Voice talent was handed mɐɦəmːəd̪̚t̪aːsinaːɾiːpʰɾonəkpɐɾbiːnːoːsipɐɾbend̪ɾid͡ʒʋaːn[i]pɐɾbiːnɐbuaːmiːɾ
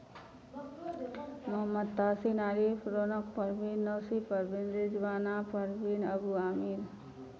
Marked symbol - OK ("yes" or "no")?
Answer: no